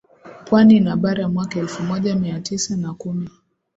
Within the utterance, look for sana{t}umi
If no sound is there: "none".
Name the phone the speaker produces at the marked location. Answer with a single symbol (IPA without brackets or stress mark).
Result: k